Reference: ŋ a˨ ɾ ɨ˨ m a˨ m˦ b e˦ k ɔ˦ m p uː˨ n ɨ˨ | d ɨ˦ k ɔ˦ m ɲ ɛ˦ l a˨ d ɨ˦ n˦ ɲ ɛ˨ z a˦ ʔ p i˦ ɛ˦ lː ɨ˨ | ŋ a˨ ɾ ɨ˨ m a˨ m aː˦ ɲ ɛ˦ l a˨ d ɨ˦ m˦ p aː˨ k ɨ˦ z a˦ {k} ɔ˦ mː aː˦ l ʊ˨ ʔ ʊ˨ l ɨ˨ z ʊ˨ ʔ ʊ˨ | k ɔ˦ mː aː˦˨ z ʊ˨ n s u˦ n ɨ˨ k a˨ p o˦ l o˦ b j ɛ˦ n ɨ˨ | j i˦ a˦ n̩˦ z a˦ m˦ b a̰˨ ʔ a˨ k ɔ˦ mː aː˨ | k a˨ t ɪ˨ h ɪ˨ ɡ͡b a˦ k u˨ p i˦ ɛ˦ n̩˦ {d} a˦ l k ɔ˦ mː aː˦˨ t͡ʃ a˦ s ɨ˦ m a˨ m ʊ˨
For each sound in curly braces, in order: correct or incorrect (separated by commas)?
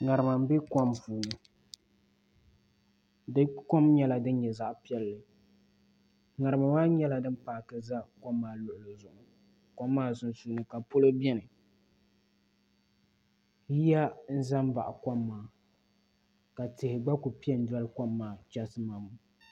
correct, correct